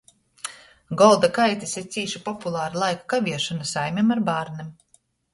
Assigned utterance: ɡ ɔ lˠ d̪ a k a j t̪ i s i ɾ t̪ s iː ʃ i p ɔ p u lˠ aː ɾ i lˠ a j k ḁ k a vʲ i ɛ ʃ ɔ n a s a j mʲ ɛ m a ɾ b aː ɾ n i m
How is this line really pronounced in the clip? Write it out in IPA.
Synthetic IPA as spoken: ɡ ɔ lˠ d̪ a k a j t̪ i s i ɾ t̪ s iː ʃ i p ɔ p u lˠ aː ɾ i lˠ a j k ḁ k a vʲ i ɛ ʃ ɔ n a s a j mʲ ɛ m a ɾ b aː ɾ n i m